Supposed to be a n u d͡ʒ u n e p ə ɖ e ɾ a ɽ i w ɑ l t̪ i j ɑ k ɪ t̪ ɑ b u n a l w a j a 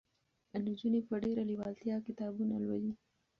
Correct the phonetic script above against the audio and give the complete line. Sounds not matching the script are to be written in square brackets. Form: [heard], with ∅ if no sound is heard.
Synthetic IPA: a n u d͡ʒ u n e p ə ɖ e ɾ a [l] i w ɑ l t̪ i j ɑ k ɪ t̪ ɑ b u n a l w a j [i]

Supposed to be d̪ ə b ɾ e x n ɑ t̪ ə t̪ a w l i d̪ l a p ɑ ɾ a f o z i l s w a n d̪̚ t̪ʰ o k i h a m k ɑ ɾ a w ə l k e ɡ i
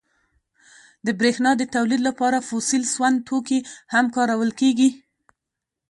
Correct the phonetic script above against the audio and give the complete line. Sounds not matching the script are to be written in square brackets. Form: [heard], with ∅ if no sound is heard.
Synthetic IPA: d̪ ə b ɾ e x n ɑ [d̪] ə t̪ a w l i d̪ l a p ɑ ɾ a f o [s] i l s w a n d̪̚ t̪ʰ o k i h a m k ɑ ɾ a w ə l k e ɡ i

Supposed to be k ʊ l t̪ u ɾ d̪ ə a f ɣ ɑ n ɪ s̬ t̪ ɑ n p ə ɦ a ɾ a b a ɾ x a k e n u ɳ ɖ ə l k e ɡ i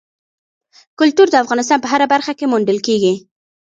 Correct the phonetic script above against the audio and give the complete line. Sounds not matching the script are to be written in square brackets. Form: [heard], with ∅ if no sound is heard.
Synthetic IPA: k ʊ l t̪ u ɾ d̪ ə a f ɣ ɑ n ɪ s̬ t̪ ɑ n p ə ɦ a ɾ a b a ɾ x a k e [m] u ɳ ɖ ə l k e ɡ i

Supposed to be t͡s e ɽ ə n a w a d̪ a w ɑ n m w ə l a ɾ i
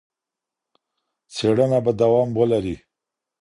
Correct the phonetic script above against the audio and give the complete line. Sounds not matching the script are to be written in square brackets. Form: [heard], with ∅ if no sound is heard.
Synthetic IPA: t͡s e ɽ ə n a [b] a d̪ a w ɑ [∅] m w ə l a ɾ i

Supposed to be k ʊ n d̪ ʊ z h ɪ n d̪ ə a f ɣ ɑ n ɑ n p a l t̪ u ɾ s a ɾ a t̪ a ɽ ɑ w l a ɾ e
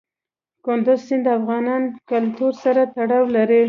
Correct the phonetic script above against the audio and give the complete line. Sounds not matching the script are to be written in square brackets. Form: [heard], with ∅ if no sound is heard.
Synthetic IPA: k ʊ n d̪ ʊ z [s] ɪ n d̪ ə a f ɣ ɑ n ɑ n [k] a l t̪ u ɾ s a ɾ a t̪ a ɽ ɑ w l a ɾ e

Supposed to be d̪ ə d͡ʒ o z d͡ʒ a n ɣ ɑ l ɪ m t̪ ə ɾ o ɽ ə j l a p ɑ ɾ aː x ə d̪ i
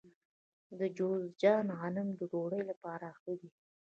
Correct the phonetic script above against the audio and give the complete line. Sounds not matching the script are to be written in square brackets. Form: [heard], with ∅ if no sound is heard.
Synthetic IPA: d̪ ə d͡ʒ o z d͡ʒ [ɑ] n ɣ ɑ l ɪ m [d̪] ə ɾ o ɽ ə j l a p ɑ ɾ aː x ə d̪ i

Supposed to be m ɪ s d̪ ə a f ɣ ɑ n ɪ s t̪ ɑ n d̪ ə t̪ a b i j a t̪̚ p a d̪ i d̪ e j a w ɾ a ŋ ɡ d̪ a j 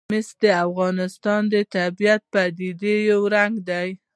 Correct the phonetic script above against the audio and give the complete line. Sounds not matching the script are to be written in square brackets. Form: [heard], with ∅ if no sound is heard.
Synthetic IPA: m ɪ s d̪ ə a f ɣ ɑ n ɪ s t̪ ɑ n d̪ ə t̪ a b i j a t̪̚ p a d̪ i d̪ e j a w ɾ a ŋ ɡ d̪ a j

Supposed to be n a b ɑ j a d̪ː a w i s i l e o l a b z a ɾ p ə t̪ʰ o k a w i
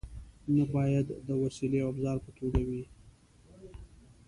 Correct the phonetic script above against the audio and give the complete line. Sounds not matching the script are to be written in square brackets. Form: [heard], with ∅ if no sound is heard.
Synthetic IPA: n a b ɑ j a d̪ː [ə] w [a] s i l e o [∅] a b z [ɑ] ɾ p ə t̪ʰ o [ɡ] a w i

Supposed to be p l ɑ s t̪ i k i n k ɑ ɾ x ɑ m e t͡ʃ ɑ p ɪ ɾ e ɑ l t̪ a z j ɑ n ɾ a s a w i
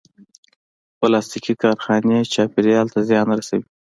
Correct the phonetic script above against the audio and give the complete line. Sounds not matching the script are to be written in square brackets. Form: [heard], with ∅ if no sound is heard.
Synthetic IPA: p l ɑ s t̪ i k i [∅] k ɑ ɾ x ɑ [n] e t͡ʃ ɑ p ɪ ɾ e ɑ l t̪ a z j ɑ n ɾ a s a w i

